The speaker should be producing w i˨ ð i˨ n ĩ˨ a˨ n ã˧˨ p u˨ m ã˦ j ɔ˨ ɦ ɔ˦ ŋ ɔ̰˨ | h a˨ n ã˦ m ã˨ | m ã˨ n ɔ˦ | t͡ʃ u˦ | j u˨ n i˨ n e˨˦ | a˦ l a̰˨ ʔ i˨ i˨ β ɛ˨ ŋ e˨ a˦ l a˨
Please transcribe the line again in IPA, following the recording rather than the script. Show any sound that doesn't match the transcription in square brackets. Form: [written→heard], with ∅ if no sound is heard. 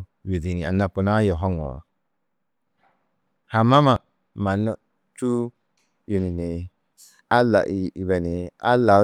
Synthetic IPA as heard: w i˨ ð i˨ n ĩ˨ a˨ n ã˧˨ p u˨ [m→n] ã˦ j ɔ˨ ɦ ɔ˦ ŋ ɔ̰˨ | h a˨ [n→m] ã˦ m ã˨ | m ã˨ n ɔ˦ | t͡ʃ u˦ | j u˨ n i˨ n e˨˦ | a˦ l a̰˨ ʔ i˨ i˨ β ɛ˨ [ŋ→n] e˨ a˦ l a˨